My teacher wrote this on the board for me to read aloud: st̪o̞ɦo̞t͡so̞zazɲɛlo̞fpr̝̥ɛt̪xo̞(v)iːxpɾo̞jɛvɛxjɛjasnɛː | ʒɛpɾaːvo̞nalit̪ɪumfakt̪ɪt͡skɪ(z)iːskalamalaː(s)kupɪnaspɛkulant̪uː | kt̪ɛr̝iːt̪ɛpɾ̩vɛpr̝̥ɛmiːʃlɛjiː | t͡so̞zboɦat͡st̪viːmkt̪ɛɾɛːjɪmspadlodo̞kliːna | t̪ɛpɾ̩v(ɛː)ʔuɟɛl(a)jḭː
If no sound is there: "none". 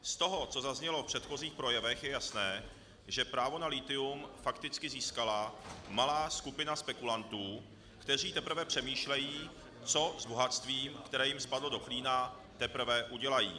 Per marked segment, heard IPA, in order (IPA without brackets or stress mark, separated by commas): z, z, s, ɛ, a